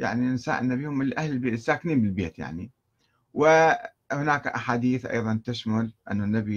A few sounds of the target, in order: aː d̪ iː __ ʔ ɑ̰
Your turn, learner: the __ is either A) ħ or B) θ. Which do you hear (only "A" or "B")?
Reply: B